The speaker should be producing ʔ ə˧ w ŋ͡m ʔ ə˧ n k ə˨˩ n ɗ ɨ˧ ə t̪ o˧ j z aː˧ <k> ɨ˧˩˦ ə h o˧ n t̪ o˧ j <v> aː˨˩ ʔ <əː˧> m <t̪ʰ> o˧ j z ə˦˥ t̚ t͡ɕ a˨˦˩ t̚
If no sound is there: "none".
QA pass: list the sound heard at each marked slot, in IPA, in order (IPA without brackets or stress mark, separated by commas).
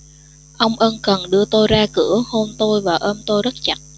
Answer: k, v, əː˧, t̪